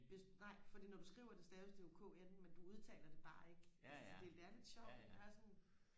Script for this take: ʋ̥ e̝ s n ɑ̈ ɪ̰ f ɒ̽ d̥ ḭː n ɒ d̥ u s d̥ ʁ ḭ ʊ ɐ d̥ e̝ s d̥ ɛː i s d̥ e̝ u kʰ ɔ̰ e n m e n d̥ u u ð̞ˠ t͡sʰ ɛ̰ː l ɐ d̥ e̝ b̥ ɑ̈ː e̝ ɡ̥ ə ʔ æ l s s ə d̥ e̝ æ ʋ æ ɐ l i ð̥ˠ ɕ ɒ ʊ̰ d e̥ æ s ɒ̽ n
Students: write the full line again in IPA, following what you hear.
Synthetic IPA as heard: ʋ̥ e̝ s n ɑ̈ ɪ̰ f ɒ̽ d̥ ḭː n ɒ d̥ u s ɡ̥ ʁ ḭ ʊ ɐ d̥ e̝ s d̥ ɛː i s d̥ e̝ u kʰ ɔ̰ e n m e n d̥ u u ð̞ˠ t͡sʰ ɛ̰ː l ɐ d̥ e̝ b̥ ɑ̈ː e̝ ɡ̥ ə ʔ æ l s s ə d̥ e̝ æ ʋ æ ɐ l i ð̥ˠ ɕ ɒ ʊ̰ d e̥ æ s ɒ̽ n